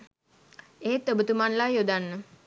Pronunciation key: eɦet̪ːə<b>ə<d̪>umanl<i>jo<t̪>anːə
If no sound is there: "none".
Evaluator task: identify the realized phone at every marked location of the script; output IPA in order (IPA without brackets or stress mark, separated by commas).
b, t̪, a, d̪